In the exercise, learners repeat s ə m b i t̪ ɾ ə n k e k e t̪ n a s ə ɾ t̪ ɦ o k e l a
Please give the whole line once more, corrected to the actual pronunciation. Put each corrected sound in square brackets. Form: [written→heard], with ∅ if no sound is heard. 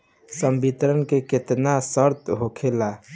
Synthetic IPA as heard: s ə m b i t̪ ɾ ə n k e k e t̪ n a s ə ɾ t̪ ɦ o [k→kʰ] e l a

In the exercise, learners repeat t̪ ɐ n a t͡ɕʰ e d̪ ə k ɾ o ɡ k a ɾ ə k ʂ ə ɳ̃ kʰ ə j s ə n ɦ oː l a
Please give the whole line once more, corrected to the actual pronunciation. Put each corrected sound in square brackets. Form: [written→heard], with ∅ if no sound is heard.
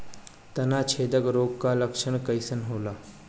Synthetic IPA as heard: t̪ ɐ n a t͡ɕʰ e d̪ ə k ɾ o ɡ k a [ɾ→l] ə k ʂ ə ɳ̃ [kʰ→k] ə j s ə n ɦ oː l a

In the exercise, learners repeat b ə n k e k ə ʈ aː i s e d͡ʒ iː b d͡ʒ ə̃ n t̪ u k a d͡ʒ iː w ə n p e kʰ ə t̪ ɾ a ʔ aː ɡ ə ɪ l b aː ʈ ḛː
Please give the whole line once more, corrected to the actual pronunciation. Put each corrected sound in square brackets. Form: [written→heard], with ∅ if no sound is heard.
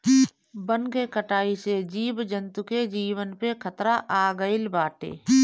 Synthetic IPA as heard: b ə n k e k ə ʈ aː i s e d͡ʒ iː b d͡ʒ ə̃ n t̪ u k [a→e] d͡ʒ iː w ə n p e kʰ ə t̪ ɾ a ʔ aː ɡ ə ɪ l b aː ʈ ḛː

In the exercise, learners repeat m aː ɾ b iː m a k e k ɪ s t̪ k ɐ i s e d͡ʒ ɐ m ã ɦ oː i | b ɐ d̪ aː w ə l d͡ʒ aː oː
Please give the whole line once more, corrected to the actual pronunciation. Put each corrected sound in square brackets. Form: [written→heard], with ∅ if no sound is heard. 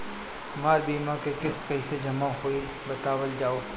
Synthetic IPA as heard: m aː ɾ b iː m a k e k ɪ s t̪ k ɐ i s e d͡ʒ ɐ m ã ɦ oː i | b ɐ [d̪→t̪] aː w ə l d͡ʒ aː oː

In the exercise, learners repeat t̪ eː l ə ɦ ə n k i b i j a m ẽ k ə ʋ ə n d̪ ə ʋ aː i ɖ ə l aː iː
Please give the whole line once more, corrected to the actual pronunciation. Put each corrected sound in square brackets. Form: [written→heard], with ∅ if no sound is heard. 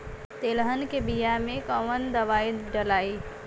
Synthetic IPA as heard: t̪ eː l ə ɦ ə n k [i→e] b i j a m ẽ k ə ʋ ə n d̪ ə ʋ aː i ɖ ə l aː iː

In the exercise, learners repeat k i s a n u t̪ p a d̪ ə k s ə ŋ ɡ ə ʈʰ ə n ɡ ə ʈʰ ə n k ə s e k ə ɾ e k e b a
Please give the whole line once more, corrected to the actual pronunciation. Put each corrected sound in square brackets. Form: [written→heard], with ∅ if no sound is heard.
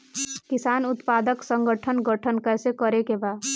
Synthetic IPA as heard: k i s a n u t̪ p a d̪ ə k s ə ŋ ɡ ə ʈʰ ə n ɡ ə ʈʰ ə n k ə s e k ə ɾ e k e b a

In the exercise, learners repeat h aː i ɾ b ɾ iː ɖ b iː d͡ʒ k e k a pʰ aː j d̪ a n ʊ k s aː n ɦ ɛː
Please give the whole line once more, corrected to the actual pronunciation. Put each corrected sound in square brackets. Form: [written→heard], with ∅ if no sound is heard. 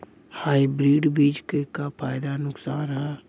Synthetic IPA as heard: h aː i [ɾ→∅] b ɾ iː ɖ b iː d͡ʒ k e k a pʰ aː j d̪ a n ʊ k s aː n ɦ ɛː

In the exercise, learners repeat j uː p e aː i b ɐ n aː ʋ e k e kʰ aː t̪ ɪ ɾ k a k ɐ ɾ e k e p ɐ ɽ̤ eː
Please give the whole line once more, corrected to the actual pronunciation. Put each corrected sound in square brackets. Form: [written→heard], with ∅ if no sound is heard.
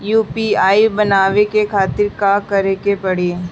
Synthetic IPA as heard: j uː p [e→i] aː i b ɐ n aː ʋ e k e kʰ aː t̪ ɪ ɾ k a k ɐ ɾ e k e p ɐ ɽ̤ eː

